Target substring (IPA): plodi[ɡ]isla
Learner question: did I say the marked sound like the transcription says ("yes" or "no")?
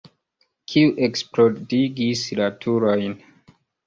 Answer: yes